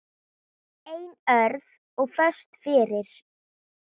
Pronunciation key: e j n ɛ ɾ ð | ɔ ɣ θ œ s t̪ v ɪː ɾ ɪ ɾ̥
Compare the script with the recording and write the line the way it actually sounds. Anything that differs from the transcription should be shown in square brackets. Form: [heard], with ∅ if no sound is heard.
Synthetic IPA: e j n [œ] ɾ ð | ɔ ɣ [f] œ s t̪ [f] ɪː ɾ ɪ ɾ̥